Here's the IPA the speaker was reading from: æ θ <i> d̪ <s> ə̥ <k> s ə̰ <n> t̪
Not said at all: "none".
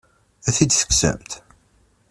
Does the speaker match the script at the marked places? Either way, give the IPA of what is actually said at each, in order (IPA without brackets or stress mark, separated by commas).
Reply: i, θ, k, m